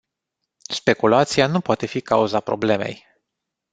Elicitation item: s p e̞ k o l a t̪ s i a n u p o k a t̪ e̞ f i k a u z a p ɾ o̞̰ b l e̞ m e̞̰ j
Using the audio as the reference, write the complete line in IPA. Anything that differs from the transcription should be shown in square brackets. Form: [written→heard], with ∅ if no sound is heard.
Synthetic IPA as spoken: s p e̞ k [o→u] l a t̪ s i a n u p o [k→∅] a t̪ e̞ f i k a u z a p ɾ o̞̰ b l e̞ m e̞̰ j